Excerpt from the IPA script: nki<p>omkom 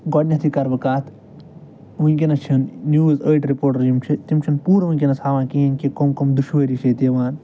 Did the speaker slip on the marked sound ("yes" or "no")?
yes